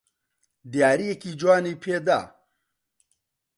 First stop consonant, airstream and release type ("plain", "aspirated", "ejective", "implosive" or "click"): plain